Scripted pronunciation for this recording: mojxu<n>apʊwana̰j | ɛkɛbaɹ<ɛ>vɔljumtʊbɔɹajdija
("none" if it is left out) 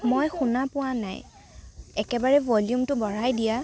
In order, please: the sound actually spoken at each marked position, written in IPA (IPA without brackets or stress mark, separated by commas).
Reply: n, ɛ